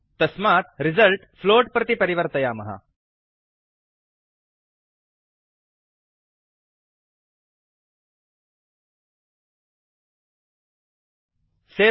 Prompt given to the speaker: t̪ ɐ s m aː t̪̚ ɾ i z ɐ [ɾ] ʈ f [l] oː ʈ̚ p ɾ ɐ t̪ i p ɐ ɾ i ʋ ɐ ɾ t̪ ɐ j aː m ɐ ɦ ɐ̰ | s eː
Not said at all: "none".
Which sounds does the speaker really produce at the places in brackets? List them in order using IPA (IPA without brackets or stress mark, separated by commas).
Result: l, l